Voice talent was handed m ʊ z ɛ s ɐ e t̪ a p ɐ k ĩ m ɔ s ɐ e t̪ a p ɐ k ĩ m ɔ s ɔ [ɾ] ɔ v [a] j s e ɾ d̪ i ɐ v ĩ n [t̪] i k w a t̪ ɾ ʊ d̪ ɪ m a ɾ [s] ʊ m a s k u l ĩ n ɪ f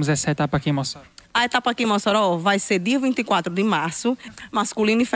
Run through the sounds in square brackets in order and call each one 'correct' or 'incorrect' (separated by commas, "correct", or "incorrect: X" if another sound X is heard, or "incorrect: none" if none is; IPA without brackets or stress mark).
correct, correct, correct, correct